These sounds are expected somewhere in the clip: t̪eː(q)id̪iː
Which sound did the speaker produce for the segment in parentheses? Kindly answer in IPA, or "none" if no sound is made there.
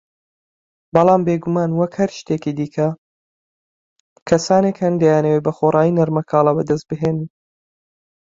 k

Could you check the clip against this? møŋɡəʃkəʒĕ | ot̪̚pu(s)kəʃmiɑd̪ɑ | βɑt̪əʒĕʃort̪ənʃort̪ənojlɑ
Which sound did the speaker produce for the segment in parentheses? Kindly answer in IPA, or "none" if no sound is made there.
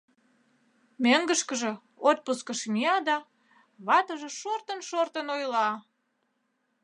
s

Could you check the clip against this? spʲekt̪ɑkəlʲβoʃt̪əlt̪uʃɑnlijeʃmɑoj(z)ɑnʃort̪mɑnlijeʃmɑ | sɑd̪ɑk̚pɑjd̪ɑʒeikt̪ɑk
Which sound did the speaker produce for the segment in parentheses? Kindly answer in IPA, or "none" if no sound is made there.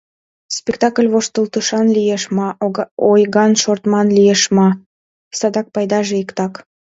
ɣ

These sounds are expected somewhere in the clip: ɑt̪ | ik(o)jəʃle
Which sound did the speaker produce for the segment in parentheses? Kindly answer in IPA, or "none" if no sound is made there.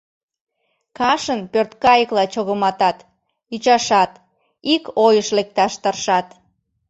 o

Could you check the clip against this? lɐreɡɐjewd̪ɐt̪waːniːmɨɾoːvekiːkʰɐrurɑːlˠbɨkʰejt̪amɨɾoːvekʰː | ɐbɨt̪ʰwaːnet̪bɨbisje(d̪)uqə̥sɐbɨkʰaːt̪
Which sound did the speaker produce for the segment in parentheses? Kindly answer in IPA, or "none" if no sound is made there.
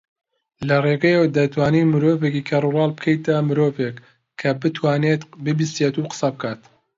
t̪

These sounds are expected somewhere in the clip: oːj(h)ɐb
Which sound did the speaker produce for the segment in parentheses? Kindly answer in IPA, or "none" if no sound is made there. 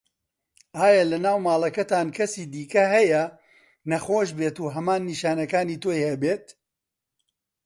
h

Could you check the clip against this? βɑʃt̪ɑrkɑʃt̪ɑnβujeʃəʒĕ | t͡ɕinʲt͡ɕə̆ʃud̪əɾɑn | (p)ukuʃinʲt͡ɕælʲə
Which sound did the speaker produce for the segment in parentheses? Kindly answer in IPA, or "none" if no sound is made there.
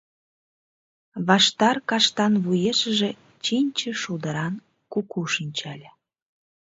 k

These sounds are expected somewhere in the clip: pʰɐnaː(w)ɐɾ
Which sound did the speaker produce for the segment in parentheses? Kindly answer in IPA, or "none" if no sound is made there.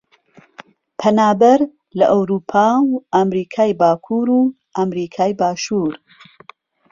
b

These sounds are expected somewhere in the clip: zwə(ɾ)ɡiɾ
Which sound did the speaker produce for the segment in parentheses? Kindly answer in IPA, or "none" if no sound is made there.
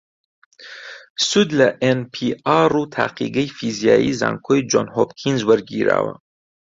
ɾ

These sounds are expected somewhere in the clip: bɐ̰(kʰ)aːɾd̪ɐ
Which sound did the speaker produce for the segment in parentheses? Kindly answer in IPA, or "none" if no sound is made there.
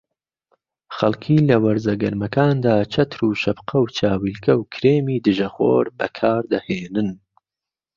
kʰ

